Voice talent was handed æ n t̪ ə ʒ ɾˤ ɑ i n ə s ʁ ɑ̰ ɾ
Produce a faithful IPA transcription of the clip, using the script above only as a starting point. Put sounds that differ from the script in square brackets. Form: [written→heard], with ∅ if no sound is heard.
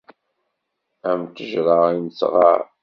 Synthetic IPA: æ [n→m] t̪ ə ʒ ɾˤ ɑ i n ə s ʁ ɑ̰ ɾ